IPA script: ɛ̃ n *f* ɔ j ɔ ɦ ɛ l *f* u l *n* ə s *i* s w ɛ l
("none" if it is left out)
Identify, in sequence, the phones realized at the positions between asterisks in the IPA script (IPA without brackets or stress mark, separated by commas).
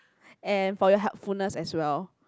f, f, n, ɛ